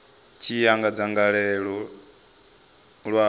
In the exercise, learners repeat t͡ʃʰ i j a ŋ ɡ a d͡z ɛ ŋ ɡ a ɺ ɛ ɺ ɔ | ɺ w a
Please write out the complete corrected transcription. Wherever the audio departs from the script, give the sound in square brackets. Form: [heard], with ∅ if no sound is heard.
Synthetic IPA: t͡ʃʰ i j a ŋ ɡ a d͡z [a] ŋ ɡ a ɺ ɛ ɺ ɔ | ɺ w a